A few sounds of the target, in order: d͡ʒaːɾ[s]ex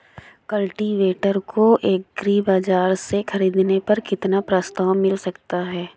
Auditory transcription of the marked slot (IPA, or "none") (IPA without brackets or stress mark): s